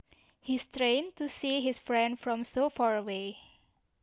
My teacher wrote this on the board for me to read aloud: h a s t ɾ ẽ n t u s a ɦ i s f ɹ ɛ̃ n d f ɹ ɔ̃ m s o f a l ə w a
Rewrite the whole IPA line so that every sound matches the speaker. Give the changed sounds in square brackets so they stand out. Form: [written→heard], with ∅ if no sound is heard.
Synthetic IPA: h [a→i] s t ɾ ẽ n t u s [a→i] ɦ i s f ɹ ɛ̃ n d f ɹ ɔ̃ m s o f a [l→ɹ] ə w [a→e]